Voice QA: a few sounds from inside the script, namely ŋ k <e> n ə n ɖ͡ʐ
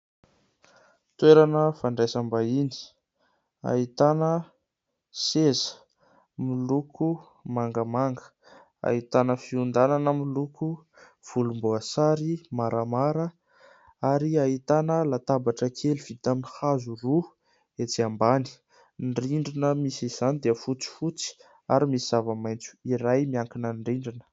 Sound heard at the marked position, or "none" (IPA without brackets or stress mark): i